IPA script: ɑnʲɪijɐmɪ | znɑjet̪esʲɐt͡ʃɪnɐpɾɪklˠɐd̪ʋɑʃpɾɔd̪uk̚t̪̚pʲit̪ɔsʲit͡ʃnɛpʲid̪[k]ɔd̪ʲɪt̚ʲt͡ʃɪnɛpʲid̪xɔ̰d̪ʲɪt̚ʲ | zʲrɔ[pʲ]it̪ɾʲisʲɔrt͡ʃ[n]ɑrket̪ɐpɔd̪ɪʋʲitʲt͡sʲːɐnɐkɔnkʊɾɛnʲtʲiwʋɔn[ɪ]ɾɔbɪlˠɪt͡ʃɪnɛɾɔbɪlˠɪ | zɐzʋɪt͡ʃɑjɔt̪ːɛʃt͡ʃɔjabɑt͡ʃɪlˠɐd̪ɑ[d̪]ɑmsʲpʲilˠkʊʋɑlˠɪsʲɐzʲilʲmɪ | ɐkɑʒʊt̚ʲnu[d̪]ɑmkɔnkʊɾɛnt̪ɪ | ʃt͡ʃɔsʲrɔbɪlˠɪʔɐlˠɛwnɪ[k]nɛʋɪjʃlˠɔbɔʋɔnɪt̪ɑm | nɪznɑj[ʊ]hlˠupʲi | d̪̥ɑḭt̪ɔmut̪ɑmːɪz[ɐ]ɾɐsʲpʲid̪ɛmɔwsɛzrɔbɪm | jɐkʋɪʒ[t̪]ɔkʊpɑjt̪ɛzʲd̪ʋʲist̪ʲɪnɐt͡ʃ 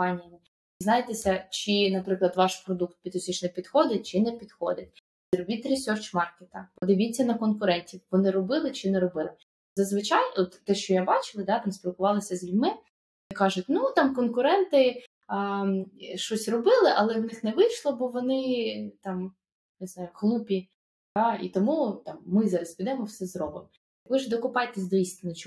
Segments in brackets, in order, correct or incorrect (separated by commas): incorrect, incorrect, incorrect, correct, incorrect, incorrect, incorrect, correct, incorrect, incorrect